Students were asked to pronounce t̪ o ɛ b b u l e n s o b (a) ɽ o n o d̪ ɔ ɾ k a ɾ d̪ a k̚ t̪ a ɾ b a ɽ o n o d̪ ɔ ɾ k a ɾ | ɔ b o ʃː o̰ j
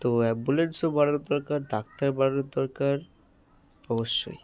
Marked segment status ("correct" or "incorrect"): correct